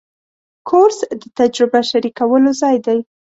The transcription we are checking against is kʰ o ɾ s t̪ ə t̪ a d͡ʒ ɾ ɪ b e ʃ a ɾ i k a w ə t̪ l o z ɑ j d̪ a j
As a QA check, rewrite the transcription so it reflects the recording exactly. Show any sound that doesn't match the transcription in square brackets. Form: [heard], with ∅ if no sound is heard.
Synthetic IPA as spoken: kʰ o ɾ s [d̪] ə t̪ a d͡ʒ ɾ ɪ b [a] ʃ a ɾ i k a w ə [∅] l o z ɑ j d̪ a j